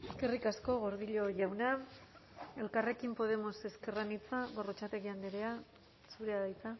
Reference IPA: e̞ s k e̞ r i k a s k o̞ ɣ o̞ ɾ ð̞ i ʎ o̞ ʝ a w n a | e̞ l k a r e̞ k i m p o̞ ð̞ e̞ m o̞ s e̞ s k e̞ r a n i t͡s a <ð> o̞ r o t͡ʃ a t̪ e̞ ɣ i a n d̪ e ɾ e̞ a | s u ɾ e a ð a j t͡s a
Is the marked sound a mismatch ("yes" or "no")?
yes